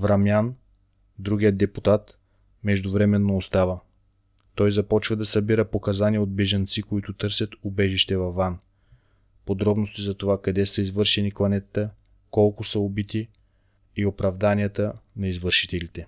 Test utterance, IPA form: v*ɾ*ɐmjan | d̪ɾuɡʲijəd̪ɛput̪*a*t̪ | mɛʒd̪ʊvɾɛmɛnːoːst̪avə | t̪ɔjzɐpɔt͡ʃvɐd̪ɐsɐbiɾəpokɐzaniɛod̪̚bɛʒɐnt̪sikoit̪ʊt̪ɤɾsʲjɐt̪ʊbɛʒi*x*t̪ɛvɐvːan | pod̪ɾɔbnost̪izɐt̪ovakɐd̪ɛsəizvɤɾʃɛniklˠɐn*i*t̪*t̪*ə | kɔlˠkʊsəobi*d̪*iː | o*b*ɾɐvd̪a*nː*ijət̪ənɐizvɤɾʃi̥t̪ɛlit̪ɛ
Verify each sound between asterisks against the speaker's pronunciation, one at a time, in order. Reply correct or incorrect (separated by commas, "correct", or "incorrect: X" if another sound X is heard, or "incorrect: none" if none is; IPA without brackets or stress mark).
correct, correct, incorrect: ʃ, incorrect: ɛ, correct, incorrect: t̪, incorrect: p, incorrect: n